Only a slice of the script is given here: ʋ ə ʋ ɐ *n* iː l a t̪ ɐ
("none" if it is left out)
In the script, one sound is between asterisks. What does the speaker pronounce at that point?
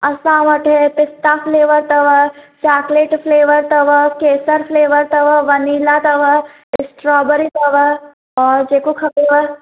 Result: n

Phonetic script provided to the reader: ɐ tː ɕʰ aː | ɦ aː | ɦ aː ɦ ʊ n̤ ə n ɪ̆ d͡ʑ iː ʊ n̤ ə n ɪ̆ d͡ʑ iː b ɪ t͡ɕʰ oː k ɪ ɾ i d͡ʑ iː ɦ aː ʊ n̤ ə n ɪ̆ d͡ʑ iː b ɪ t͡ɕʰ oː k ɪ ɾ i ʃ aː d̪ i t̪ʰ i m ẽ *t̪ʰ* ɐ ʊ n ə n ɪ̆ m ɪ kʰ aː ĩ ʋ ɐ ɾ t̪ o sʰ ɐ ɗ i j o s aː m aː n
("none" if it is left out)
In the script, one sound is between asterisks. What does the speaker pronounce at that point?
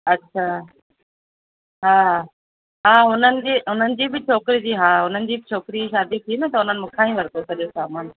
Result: t̪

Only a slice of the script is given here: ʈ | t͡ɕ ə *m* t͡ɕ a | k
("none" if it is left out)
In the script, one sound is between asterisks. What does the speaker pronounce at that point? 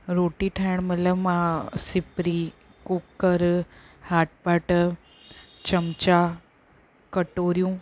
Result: m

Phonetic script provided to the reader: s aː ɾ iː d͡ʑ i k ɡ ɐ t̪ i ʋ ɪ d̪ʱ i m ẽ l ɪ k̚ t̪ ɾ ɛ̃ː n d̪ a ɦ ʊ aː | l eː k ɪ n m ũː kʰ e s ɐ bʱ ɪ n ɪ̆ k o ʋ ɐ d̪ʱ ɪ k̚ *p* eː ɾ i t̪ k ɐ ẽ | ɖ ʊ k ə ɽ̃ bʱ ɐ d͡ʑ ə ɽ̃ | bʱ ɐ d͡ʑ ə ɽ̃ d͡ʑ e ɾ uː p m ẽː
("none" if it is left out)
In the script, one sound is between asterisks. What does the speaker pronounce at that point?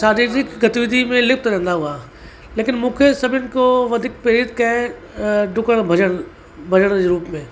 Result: p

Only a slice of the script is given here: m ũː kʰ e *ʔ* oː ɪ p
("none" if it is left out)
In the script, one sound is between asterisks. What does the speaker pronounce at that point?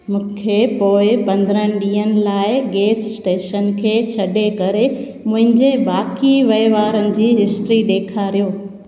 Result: p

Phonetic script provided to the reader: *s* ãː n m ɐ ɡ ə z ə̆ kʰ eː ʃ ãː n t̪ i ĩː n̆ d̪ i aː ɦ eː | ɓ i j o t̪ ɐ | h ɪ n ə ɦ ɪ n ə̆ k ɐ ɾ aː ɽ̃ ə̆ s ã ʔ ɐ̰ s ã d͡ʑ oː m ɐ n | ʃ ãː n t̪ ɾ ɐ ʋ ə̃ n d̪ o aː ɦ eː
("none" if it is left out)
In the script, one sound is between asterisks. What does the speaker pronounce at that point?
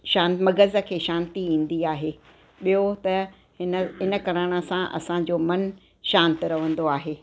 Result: ʃ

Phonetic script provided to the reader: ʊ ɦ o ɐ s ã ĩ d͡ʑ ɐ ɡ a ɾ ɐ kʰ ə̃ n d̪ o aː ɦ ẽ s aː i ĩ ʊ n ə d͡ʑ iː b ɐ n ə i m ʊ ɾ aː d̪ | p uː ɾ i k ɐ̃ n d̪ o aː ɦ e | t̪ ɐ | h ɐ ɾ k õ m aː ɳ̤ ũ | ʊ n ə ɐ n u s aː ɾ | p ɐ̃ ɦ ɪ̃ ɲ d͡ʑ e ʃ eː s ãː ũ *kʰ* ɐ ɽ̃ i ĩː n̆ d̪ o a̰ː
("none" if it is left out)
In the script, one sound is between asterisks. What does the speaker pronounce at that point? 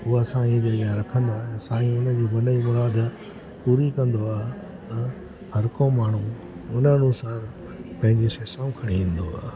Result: kʰ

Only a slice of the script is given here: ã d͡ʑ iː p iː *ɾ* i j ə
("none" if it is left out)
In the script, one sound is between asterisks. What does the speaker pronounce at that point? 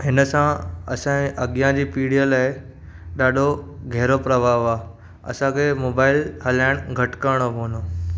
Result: ɽ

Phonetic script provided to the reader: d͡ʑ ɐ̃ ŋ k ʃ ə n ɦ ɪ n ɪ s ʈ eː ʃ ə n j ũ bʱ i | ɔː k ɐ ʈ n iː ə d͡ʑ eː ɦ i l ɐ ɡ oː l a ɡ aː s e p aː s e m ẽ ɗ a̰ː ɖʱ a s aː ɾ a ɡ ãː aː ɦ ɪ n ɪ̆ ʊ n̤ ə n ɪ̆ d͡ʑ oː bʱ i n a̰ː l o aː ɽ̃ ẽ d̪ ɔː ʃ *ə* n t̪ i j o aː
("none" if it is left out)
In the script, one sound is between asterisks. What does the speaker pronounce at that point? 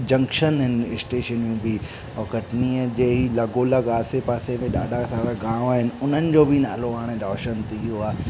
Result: ə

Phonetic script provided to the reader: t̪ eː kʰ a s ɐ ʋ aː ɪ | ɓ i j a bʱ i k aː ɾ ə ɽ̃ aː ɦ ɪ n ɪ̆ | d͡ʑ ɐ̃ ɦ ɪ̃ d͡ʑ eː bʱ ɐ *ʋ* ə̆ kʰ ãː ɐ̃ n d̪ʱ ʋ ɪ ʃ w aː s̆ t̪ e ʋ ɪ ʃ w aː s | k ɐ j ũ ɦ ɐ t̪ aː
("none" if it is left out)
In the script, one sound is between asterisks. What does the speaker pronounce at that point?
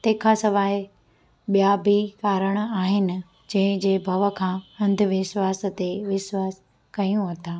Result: ʋ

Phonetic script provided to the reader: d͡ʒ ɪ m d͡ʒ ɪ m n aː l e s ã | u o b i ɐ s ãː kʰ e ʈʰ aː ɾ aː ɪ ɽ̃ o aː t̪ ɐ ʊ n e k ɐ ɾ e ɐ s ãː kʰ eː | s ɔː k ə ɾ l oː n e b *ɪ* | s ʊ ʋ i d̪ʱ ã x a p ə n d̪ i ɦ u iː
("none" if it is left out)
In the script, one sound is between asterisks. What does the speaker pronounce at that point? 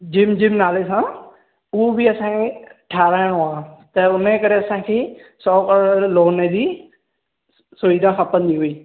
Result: i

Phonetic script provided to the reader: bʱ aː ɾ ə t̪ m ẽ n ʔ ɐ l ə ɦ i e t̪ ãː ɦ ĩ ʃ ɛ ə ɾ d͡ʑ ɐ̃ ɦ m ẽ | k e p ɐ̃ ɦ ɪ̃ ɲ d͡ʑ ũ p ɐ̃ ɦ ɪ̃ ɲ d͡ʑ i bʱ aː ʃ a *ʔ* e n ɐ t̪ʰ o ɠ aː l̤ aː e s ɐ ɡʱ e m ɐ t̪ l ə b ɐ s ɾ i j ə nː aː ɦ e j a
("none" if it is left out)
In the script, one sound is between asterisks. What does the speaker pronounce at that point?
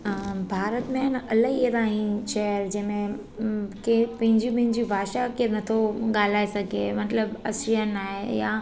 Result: k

